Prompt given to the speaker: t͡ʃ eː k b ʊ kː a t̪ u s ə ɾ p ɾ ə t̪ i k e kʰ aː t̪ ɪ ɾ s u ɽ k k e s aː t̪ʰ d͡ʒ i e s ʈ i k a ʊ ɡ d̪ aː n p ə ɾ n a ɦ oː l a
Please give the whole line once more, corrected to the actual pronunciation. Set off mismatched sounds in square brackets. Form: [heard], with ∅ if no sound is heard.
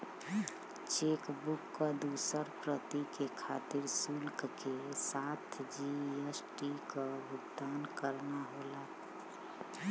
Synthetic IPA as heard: t͡ʃ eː k b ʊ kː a [d̪] u s ə ɾ p ɾ ə t̪ i k e kʰ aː t̪ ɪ ɾ s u [l] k k e s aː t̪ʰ d͡ʒ i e s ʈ i k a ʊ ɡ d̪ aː n [k] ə ɾ n a ɦ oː l a